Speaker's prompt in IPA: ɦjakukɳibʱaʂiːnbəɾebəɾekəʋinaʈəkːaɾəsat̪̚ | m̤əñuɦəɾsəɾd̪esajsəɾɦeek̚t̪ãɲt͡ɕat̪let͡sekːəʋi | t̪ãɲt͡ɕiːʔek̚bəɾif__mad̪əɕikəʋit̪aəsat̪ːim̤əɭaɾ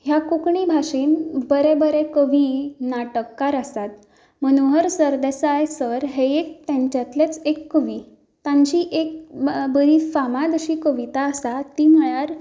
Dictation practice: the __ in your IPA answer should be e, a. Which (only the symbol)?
a